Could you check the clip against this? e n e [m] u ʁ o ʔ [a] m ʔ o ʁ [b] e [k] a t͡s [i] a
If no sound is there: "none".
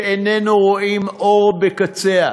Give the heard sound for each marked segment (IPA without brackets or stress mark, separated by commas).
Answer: n, i, b, k, e